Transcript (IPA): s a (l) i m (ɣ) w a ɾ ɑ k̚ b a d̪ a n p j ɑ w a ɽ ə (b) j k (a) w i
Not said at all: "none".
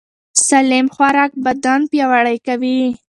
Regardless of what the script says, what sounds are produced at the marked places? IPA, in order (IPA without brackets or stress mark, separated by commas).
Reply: l, x, none, a